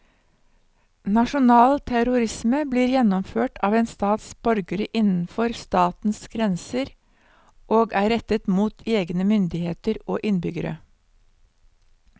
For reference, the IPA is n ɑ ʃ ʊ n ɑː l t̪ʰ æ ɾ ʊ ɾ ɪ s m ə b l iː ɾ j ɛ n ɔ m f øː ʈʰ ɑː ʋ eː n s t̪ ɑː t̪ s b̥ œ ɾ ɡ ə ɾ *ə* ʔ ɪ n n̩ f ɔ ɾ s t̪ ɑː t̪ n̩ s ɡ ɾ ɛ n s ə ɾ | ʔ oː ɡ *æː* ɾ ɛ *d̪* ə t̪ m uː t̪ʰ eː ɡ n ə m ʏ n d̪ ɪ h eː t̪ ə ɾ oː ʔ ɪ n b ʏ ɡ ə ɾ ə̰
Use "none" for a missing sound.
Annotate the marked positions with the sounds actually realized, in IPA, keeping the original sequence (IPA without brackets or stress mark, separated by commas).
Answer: ə, æː, t̪